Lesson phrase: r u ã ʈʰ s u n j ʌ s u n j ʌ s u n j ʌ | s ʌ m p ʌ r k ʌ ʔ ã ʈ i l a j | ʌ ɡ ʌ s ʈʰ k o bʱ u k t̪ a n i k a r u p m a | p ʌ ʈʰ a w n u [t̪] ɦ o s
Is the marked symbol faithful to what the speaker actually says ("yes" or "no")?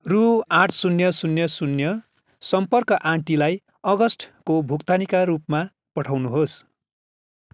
no